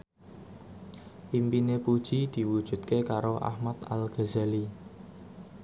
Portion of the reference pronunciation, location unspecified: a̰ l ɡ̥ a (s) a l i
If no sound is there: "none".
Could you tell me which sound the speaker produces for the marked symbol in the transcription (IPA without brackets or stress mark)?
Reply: z